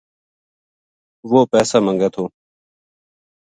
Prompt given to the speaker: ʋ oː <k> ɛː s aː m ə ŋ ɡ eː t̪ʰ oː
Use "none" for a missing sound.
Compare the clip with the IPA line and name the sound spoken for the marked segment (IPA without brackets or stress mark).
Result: p